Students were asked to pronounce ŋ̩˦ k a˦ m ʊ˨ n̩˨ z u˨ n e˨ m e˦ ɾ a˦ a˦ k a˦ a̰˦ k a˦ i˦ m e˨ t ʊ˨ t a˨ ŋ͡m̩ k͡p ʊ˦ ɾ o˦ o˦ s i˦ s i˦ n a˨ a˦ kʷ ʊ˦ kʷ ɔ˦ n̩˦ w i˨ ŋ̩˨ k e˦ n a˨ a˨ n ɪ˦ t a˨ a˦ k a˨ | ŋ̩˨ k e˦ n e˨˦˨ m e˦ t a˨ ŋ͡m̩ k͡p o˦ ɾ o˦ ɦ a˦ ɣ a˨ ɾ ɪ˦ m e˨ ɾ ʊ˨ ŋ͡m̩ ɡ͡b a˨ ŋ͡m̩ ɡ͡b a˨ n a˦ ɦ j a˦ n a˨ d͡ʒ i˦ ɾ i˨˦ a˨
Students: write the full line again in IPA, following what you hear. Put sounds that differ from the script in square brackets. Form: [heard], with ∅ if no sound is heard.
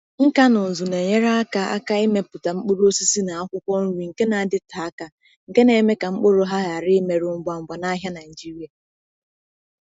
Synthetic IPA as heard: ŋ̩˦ k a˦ [n] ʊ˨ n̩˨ z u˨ n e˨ [ɲ] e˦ ɾ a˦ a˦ k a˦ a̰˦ k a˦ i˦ m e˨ [p] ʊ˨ t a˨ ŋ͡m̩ k͡p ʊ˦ ɾ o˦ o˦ s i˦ s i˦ n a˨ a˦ kʷ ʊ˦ kʷ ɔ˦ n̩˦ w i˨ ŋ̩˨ k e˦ n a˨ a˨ [d] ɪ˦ t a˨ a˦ k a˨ | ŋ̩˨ k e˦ n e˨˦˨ m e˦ [k] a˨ ŋ͡m̩ k͡p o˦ ɾ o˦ ɦ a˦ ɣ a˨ ɾ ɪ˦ m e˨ ɾ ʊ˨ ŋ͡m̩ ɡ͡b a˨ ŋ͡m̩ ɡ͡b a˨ n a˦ ɦ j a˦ n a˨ d͡ʒ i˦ ɾ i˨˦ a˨